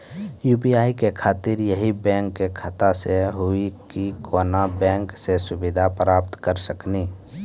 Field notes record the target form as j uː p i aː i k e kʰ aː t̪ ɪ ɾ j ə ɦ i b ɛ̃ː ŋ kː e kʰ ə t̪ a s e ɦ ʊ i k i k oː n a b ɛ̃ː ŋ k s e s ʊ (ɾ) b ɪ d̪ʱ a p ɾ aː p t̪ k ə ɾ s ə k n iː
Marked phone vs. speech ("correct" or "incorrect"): incorrect